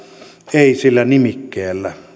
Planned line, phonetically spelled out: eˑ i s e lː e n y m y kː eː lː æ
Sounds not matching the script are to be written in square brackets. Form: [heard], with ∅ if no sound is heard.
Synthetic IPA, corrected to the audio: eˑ i s [i] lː [æ] n [i] m [i] kː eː lː æ